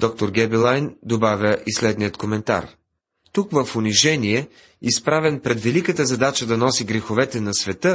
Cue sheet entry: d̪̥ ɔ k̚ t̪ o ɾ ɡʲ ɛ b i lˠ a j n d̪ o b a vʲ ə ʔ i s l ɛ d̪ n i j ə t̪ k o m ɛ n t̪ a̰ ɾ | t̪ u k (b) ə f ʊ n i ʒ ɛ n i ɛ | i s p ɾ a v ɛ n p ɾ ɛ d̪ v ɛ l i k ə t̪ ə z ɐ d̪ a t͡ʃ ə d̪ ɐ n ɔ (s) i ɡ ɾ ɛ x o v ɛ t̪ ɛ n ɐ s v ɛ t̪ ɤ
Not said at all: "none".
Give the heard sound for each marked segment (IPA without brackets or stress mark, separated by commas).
v, s